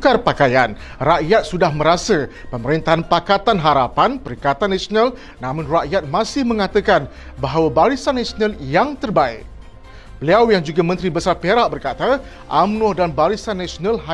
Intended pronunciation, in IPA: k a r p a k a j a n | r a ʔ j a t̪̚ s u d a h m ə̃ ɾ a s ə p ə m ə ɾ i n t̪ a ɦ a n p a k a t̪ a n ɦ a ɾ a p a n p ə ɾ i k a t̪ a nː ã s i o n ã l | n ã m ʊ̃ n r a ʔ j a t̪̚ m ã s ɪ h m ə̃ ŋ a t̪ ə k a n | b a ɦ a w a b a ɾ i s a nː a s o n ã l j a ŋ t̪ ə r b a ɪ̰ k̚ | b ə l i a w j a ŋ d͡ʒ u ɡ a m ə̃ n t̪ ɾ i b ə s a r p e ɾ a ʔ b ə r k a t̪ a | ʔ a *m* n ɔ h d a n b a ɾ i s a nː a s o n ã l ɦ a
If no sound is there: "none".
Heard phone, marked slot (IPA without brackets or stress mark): m